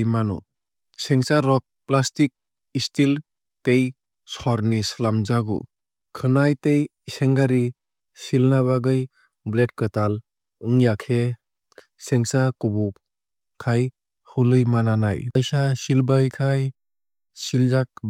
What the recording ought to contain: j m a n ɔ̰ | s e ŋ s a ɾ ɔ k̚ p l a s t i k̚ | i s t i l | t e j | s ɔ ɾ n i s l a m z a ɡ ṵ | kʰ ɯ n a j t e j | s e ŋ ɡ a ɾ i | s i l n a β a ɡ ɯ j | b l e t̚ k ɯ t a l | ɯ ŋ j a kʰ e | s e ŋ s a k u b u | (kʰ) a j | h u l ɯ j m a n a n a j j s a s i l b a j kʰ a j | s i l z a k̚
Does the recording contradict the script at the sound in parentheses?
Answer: no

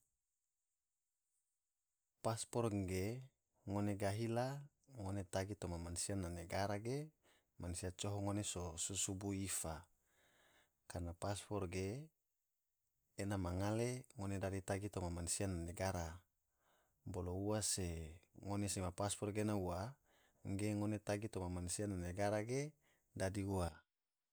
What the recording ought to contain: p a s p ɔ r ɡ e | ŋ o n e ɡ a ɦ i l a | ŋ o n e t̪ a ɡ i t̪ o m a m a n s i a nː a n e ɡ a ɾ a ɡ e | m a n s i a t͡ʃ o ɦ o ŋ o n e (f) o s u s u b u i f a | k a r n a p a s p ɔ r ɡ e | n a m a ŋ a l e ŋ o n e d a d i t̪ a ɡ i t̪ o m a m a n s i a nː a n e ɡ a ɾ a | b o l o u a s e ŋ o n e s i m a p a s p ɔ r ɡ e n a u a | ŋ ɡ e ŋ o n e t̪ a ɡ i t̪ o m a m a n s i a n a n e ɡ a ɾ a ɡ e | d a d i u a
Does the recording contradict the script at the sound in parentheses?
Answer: yes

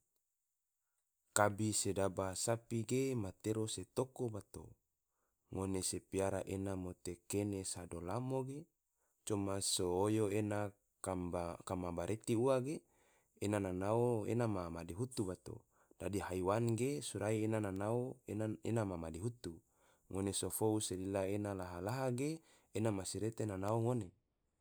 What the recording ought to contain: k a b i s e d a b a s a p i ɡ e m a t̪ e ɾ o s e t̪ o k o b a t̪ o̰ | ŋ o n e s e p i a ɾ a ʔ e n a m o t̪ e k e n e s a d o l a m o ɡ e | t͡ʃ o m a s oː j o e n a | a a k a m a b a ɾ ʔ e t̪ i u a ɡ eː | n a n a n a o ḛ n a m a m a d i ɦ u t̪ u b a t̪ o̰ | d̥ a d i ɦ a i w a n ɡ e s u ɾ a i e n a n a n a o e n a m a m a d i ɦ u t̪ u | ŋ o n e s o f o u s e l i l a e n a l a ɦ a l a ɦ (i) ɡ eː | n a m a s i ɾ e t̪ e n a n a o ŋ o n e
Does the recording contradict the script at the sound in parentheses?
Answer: yes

